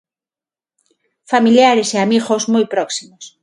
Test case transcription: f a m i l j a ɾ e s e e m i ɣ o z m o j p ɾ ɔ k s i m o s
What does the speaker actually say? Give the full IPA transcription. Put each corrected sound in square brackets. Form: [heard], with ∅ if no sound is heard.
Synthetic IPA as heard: f a m i l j a ɾ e s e [a] m i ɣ o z m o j p ɾ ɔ k s i m o s